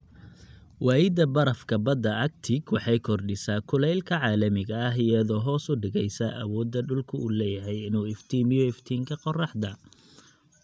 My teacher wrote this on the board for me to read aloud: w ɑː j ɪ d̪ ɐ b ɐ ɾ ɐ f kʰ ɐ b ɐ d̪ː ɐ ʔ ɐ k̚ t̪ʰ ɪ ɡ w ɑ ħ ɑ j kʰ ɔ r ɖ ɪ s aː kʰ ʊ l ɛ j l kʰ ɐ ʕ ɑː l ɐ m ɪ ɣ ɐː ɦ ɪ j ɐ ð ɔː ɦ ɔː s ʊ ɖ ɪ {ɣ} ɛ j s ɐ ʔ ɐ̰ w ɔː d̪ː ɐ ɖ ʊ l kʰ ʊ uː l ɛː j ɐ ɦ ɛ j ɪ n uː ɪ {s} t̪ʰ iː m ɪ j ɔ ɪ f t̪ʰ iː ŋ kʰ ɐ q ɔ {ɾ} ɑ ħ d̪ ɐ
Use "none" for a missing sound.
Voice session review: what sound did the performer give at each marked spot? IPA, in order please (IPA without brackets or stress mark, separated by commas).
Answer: ɣ, f, r